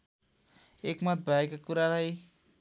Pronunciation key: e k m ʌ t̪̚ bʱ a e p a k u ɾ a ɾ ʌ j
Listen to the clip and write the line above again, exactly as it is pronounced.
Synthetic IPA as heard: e k m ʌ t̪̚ bʱ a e k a k u ɾ a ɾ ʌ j

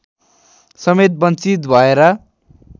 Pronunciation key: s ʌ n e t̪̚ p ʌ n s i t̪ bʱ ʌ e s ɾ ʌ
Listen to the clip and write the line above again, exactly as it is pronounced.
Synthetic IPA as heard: s ʌ m e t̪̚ b ʌ n t͡s i t̪ bʱ ʌ e ɾ ʌ

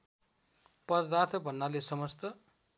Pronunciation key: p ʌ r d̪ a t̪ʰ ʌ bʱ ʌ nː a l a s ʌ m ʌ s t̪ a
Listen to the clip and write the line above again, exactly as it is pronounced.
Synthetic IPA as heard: p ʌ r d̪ a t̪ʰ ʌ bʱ ʌ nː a l e s ʌ m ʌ s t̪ ʌ

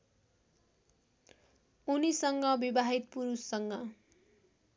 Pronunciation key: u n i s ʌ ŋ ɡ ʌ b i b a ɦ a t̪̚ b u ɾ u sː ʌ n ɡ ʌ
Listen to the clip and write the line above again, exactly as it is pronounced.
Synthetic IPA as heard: u n i s ʌ ŋ ɡ ʌ b i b a ɦ i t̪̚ p u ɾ u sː ʌ ŋ ɡ ʌ

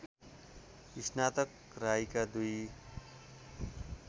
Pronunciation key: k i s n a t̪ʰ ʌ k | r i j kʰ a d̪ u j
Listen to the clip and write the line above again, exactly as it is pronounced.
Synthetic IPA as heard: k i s n a t̪ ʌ k | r a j k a d̪ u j

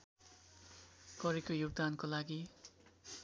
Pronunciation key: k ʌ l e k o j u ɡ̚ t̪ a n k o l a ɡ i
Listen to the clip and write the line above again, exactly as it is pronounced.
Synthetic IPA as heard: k ʌ ɾ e k o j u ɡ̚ d̪ a n k o l a ɡ i

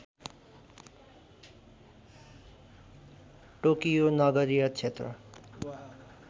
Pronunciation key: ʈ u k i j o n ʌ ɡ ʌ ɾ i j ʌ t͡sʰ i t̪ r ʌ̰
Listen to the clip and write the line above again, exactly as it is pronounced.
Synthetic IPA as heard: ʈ o k i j o n ʌ ɡ ʌ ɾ i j ʌ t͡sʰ e t̪ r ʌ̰

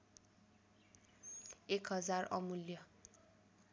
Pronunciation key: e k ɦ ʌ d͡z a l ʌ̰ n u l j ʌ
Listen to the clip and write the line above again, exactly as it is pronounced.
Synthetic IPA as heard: e k ɦ ʌ d͡z a r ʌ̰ m u l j ʌ

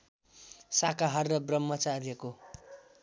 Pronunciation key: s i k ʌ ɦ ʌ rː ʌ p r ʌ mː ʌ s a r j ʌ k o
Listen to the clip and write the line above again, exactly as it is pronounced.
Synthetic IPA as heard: s a k a ɦ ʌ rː ʌ b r ʌ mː ʌ t͡s a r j ʌ k o

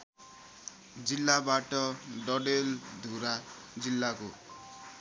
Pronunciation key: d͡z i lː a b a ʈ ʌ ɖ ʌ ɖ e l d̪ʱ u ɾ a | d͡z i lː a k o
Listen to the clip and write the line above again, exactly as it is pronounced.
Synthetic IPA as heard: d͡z i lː a b a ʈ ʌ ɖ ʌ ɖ e l d̪ʱ u ɾ a | d͡z i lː a k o

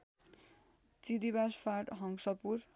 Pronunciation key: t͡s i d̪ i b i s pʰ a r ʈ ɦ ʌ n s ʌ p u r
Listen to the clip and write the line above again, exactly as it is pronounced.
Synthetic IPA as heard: t͡s i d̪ i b a s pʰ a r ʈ ɦ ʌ ŋ s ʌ p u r

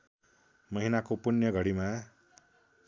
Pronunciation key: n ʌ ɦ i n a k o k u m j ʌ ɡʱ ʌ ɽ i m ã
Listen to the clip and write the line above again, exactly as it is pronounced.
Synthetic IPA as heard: m ʌ ɦ i n a k o p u n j ʌ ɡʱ ʌ ɽ i m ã

